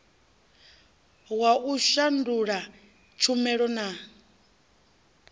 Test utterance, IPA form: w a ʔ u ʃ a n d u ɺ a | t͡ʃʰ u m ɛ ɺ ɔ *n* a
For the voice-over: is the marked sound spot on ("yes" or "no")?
yes